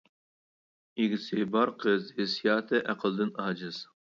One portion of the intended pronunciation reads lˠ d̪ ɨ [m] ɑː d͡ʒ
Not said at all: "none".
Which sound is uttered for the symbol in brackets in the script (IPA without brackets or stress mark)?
n